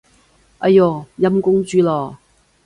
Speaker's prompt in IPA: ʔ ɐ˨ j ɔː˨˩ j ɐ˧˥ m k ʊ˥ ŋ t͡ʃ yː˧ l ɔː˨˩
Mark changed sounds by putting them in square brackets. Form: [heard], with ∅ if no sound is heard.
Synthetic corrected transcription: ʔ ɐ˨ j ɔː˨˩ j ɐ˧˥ m k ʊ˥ ŋ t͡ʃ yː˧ l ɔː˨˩

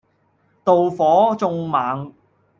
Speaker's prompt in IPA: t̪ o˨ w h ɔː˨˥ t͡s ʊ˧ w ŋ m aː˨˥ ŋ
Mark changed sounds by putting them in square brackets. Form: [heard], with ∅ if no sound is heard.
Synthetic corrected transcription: t̪ o˨ w [f] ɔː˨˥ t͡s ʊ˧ [∅] ŋ m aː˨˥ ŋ

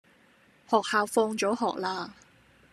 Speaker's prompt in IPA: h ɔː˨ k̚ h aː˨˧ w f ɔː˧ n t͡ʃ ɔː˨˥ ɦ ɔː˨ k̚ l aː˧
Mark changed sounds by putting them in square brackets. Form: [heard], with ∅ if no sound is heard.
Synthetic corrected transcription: h ɔː˨ k̚ h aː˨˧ w f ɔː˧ [ŋ] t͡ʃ ɔː˨˥ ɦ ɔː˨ k̚ l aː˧

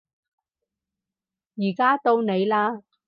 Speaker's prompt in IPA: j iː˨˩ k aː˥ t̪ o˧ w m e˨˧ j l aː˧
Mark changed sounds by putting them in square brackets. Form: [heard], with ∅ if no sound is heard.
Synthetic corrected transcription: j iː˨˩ k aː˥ t̪ o˧ w [n] e˨˧ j l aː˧

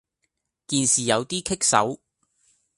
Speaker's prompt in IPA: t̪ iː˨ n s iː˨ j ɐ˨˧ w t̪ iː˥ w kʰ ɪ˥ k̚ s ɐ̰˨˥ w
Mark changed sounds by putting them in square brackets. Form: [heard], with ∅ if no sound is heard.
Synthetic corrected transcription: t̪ iː˨ n s iː˨ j ɐ˨˧ w t̪ iː˥ [∅] kʰ ɪ˥ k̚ s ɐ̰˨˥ w

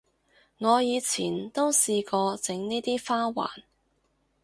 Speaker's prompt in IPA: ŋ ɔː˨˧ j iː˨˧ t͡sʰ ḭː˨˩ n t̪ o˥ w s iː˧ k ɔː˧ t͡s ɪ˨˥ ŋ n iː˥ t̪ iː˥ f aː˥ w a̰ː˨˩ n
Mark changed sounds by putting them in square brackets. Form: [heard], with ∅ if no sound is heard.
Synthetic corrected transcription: ŋ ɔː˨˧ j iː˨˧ t͡sʰ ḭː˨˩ n t̪ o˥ w s iː˧ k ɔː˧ t͡s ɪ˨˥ ŋ n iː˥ t̪ iː˥ f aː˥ w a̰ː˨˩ n

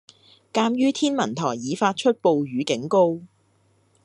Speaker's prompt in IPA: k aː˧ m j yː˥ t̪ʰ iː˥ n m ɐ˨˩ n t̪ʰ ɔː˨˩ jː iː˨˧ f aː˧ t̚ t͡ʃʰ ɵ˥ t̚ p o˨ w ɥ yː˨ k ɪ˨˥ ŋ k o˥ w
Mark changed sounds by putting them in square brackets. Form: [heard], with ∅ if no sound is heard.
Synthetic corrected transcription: k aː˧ m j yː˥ t̪ʰ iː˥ n m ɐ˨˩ n t̪ʰ ɔː˨˩ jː iː˨˧ f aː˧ t̚ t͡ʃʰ ɵ˥ t̚ p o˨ w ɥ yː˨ k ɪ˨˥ ŋ k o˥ w

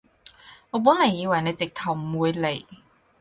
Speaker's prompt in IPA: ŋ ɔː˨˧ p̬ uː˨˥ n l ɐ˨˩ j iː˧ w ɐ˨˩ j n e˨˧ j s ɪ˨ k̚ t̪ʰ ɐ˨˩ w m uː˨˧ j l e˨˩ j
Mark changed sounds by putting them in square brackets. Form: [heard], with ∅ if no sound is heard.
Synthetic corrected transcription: ŋ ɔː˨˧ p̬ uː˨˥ n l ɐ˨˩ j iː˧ w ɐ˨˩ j n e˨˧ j [t͡s] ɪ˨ k̚ t̪ʰ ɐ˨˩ w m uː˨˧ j l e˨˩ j

